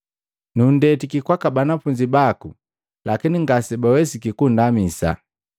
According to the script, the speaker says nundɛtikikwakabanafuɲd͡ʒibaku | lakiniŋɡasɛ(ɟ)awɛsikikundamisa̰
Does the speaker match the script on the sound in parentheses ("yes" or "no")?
no